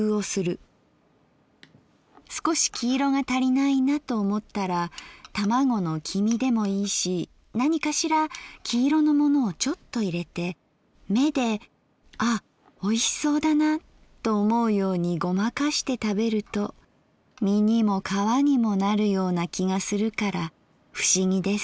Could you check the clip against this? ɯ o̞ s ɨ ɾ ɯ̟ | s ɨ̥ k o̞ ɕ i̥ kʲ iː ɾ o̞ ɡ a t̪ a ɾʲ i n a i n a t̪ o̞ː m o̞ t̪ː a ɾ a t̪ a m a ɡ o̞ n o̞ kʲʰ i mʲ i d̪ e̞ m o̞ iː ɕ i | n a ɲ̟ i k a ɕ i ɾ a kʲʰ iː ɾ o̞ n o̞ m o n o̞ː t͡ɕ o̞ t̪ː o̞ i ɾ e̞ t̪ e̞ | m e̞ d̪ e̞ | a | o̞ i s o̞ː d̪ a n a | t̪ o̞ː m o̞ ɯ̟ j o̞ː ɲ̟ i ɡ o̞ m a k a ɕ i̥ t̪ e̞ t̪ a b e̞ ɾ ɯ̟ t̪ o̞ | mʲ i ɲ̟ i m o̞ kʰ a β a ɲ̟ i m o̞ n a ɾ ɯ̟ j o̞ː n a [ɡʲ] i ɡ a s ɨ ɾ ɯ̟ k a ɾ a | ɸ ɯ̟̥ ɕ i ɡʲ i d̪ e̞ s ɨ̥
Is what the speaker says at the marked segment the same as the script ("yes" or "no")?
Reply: no